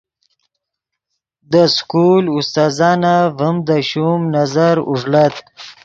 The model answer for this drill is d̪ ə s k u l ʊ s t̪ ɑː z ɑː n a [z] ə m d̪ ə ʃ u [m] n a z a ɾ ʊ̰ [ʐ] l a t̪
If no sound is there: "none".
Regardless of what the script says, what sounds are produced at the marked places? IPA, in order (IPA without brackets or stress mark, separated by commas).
v, m, ʐ